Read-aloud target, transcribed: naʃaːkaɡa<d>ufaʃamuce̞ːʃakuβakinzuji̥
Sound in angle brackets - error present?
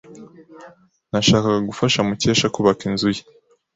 yes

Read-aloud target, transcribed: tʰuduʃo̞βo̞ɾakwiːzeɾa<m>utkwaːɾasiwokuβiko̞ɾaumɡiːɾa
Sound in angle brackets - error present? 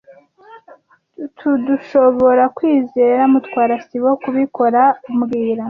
no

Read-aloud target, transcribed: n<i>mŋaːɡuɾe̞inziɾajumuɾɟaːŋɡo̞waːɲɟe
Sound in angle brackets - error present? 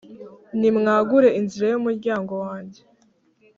no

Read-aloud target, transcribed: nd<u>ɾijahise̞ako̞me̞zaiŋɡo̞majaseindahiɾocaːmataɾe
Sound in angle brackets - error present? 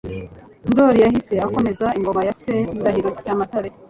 yes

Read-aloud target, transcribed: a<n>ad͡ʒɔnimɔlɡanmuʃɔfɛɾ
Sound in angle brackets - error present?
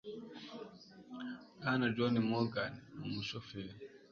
no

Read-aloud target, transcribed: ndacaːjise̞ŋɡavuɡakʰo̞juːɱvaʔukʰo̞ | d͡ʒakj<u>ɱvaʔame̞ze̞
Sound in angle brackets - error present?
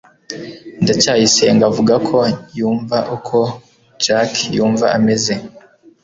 yes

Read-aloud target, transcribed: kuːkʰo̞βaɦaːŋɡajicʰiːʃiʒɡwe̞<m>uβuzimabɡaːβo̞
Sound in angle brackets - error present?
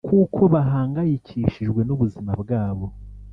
yes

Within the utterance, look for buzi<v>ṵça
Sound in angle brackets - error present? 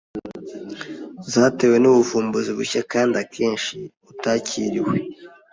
yes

